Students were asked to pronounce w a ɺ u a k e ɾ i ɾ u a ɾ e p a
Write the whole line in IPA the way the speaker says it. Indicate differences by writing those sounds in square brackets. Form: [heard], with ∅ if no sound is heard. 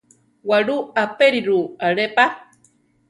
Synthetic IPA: w a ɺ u a [p] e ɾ i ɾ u a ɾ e p a